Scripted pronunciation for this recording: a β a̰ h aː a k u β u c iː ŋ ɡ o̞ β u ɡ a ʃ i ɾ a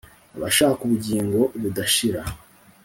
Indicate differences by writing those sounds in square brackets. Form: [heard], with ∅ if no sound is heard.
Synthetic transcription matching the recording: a β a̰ [ʃ] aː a k u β u [ɟ] iː ŋ ɡ o̞ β u [d] a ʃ i ɾ a